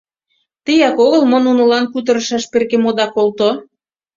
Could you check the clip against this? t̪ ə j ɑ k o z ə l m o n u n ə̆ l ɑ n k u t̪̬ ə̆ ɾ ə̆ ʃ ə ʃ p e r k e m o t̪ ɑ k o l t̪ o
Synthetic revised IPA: t̪ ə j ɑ k o ɣ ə l m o n u n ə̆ l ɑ n k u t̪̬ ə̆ ɾ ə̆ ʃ ɑ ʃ p e r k e m o d̪ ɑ k o l t̪ o